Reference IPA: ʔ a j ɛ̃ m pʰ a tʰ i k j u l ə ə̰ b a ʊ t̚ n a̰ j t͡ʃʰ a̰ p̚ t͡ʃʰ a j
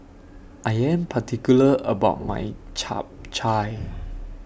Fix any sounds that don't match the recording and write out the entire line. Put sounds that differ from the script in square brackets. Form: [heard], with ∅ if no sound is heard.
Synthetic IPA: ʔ a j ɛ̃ m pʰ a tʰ i k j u l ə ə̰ b a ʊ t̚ [m] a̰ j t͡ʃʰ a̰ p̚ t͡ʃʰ a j